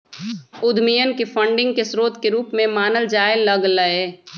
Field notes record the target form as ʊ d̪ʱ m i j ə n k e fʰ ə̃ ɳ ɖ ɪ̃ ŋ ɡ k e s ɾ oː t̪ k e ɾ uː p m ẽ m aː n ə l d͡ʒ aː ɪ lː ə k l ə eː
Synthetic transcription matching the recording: ʊ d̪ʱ m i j ə n k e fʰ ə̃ ɳ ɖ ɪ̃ ŋ ɡ k e s ɾ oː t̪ k e ɾ uː p m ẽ m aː n ə l d͡ʒ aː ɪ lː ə ɡ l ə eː